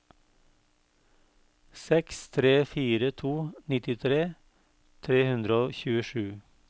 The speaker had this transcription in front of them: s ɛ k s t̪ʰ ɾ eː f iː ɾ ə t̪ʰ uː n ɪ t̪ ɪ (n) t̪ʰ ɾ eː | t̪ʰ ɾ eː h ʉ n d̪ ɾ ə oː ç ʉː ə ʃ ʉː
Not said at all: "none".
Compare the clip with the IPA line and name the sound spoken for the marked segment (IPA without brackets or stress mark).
none